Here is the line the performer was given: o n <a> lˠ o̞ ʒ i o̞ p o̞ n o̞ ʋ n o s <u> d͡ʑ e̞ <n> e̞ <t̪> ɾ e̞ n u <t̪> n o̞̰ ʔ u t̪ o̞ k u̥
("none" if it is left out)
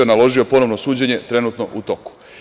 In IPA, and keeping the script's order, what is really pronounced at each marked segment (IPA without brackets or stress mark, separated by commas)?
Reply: a, uː, ɲ, t̪, t̪